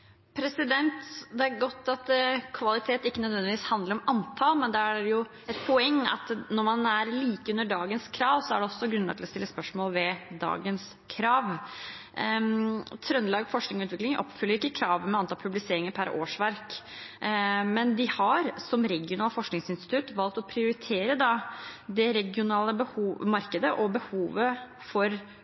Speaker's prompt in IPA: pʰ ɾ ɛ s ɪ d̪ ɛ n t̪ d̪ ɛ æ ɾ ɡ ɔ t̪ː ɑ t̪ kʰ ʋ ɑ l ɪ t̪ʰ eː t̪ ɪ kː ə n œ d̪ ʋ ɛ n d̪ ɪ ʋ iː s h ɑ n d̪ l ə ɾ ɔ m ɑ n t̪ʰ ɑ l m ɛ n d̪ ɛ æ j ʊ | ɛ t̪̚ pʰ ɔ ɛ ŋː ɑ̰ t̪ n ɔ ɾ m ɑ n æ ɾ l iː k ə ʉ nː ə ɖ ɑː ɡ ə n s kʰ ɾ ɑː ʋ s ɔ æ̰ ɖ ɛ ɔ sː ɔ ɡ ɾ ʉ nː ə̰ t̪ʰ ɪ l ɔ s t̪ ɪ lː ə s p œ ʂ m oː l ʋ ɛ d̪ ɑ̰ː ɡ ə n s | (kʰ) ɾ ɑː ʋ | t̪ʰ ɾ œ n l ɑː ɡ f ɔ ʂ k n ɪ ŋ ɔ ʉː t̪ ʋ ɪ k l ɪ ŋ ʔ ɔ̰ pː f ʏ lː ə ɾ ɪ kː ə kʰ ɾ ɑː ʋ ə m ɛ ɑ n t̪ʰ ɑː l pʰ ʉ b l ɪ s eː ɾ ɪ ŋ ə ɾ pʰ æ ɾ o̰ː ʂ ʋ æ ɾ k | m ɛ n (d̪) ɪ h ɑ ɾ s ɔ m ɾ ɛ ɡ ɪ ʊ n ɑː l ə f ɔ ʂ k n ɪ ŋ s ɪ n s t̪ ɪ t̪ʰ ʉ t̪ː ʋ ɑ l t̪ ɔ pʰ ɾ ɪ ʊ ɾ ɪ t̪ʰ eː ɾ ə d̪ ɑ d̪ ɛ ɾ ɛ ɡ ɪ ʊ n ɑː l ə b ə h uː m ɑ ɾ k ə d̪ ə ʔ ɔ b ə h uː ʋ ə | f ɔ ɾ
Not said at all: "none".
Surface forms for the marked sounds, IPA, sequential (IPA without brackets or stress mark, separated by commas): kʰ, d̪